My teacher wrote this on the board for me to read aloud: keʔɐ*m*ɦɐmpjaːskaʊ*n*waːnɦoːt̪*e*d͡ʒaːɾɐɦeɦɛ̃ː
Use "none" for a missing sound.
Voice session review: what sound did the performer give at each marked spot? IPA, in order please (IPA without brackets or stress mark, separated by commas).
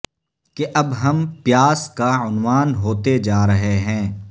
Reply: b, n, e